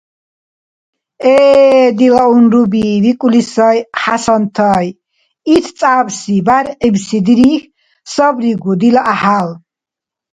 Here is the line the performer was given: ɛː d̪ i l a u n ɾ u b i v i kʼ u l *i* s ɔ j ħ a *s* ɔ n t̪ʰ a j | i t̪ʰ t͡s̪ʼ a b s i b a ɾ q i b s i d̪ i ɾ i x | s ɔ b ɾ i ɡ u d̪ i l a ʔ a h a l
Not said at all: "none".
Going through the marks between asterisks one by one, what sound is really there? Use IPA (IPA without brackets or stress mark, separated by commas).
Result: i, s